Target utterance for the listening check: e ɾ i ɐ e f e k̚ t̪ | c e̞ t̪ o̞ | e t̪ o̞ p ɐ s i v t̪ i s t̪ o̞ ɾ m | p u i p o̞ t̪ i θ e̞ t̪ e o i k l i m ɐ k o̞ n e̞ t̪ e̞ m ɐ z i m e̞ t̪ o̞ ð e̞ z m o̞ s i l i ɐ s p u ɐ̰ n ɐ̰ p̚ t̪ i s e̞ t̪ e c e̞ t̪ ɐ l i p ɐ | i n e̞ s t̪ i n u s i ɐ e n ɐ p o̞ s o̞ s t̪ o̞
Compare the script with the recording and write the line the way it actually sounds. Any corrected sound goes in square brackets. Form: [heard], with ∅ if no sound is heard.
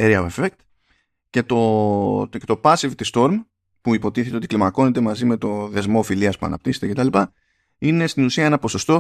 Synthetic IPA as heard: e ɾ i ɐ e f e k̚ t̪ | c e̞ t̪ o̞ | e t̪ o̞ p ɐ s i v t̪ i s t̪ o̞ ɾ m | p u i p o̞ t̪ i θ e̞ t̪ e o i k l i m ɐ k o̞ n e̞ t̪ e̞ m ɐ z i m e̞ t̪ o̞ ð e̞ z m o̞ [f] i l i ɐ s p u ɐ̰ n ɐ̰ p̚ t̪ i s e̞ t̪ e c e̞ t̪ ɐ l i p ɐ | i n e̞ s t̪ i n u s i ɐ e n ɐ p o̞ s o̞ s t̪ o̞